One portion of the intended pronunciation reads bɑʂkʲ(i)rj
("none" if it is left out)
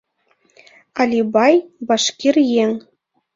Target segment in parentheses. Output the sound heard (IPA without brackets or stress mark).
i